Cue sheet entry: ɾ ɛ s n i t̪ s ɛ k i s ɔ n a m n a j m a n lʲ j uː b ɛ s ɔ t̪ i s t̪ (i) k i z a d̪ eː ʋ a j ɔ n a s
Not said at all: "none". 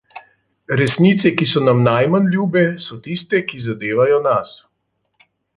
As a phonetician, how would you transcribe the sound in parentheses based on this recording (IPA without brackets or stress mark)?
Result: ɛ